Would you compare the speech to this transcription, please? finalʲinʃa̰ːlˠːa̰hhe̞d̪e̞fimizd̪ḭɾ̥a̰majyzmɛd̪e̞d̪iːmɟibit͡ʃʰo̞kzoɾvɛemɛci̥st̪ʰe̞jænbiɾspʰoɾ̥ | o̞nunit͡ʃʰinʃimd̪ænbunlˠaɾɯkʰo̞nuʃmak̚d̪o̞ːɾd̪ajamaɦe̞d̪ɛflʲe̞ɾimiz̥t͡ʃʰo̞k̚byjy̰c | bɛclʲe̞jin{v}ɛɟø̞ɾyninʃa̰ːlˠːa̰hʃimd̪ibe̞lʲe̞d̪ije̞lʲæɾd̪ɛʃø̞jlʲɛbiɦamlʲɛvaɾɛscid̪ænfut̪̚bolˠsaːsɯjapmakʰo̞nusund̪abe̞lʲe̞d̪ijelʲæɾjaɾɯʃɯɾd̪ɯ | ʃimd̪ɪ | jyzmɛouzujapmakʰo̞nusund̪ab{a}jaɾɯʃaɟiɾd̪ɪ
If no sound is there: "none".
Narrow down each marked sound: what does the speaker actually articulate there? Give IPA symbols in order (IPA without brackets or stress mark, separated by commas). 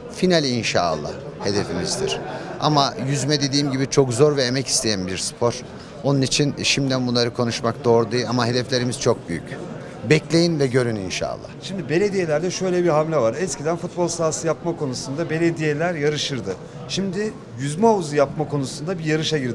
v, i